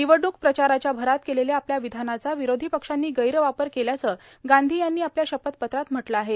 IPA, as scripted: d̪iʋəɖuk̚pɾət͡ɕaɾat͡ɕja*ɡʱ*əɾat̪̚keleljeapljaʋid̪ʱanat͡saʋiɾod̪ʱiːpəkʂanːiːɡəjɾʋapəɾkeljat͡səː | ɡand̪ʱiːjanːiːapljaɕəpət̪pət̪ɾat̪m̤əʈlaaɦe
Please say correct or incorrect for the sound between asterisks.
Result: incorrect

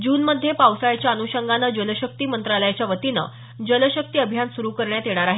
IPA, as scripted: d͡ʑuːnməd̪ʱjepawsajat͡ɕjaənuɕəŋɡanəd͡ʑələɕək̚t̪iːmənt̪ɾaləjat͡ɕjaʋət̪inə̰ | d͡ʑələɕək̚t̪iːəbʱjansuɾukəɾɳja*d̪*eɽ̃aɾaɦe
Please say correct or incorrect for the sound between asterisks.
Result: incorrect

